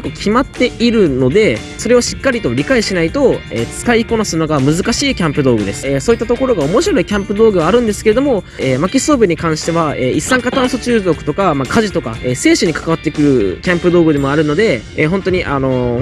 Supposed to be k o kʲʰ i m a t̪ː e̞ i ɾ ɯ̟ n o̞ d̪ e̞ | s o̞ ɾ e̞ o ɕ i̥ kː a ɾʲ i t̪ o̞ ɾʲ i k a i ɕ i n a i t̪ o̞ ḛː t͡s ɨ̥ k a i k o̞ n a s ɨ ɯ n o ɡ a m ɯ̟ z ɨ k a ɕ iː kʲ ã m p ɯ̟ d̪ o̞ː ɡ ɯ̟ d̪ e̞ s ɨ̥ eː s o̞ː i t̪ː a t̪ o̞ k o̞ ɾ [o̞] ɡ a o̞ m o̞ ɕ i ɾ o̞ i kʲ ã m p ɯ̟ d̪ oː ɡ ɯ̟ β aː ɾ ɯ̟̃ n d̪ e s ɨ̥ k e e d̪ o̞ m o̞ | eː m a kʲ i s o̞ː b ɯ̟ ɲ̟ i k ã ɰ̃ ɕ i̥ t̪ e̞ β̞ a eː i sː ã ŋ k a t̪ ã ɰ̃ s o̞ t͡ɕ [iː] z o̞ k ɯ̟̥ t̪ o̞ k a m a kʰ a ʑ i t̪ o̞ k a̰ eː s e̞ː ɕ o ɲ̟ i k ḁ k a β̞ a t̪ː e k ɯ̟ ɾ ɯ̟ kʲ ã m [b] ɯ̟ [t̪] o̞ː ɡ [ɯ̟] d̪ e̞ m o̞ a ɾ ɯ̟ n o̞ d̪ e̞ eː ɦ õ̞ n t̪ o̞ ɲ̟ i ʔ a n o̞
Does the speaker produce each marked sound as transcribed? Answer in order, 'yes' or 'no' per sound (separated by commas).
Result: yes, no, no, no, yes